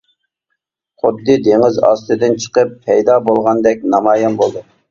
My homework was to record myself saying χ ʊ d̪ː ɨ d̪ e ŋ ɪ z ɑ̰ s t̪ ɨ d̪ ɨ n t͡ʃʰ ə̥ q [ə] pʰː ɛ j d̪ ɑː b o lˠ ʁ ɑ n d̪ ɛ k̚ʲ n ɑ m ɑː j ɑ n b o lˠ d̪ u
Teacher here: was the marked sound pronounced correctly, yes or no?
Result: yes